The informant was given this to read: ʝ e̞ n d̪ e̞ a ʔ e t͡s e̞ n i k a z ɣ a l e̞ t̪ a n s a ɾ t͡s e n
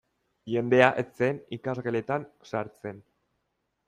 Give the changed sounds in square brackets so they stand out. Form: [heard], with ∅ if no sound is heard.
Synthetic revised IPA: ʝ e̞ n d̪ e̞ a ʔ e t͡s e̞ n i k a z ɣ [e] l e̞ t̪ a n s a ɾ t͡s e n